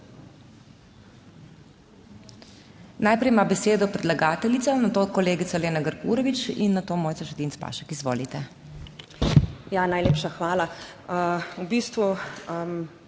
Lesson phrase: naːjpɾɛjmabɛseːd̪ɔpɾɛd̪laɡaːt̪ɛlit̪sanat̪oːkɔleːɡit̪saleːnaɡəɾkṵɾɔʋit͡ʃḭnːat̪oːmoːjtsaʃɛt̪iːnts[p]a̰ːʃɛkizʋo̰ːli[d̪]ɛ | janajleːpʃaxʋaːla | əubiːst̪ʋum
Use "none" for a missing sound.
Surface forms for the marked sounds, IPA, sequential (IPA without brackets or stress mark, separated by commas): p, t̪